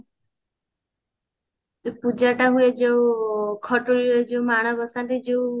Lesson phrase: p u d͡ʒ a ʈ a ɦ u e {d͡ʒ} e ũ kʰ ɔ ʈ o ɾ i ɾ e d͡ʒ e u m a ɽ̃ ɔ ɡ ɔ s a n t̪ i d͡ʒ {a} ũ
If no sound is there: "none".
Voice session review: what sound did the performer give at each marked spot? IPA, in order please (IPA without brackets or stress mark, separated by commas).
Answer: d͡ʒ, e